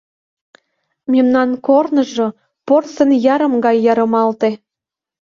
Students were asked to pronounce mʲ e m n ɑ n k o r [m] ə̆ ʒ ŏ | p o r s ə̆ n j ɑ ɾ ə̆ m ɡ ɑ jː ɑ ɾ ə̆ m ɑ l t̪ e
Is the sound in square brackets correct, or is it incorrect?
incorrect